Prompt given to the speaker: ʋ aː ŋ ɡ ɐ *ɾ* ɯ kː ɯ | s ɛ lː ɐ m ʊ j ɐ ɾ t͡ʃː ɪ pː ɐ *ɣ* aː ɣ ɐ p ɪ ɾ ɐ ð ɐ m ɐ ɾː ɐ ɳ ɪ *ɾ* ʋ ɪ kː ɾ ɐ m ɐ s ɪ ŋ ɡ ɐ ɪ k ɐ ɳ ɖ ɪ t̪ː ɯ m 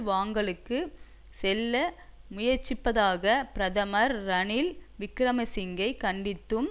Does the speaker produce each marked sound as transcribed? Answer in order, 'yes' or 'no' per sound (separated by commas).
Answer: no, no, no